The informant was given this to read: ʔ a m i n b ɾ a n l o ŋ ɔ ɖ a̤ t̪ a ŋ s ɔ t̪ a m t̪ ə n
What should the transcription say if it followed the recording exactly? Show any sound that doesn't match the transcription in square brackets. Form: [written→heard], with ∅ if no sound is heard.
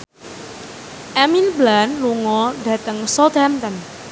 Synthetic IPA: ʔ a m i n b [ɾ→l] a n l [o→u] ŋ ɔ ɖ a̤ t̪ [a→ə] ŋ s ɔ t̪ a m t̪ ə n